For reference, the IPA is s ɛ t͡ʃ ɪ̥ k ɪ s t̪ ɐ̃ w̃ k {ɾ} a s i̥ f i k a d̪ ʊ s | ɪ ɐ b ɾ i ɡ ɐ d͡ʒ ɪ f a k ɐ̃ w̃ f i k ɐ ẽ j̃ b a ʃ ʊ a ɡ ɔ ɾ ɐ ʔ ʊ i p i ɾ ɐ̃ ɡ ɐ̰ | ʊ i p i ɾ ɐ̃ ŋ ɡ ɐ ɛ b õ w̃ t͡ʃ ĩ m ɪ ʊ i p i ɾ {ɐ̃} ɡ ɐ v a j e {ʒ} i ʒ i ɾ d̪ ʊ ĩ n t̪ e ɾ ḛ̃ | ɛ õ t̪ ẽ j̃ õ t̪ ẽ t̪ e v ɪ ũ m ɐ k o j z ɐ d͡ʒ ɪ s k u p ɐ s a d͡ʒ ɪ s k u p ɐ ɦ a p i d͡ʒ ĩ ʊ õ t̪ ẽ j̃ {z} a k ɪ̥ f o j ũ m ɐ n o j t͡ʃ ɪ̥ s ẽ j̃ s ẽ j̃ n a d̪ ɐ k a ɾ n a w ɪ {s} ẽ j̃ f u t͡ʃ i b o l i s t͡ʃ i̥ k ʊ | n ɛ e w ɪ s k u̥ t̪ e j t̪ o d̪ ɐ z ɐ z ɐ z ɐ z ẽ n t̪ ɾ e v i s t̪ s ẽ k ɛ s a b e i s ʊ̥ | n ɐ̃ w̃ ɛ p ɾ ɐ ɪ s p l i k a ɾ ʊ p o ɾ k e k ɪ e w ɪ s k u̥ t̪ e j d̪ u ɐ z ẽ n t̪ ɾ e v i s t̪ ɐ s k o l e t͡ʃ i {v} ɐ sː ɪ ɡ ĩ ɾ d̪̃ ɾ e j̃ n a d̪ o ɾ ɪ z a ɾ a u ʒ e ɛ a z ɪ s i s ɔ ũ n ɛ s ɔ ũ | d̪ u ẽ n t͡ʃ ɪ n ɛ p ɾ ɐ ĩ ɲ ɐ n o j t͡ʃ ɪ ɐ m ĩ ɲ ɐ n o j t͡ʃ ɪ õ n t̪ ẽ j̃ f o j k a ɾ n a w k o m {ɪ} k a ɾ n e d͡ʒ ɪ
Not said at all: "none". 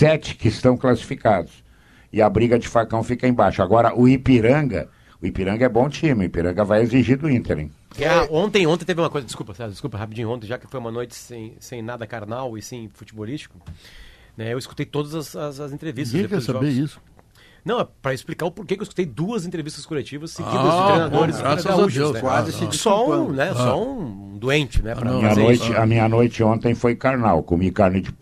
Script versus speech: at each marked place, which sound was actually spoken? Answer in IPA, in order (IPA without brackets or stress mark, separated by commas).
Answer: l, ɐ̃, z, ʒ, s, v, i